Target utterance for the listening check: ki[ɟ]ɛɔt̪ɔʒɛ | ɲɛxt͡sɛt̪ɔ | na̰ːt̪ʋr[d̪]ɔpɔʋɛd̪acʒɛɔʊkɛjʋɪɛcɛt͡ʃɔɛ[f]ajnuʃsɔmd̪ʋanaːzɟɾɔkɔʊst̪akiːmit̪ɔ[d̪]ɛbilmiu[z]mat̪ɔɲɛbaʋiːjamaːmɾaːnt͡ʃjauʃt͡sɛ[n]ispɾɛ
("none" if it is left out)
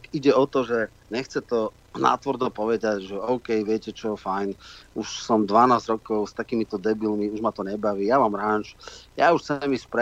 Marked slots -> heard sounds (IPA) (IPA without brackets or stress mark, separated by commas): ɟ, d̪, f, d̪, ʒ, m